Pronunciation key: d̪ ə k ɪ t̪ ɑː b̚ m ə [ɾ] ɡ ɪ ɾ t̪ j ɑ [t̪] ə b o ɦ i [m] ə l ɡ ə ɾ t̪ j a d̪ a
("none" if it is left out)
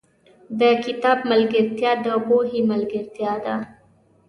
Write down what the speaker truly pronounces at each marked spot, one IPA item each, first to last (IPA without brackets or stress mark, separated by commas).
l, d̪, m